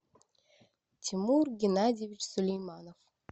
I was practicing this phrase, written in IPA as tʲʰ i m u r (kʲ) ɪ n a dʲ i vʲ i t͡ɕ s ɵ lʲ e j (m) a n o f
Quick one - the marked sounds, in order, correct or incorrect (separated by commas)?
incorrect, correct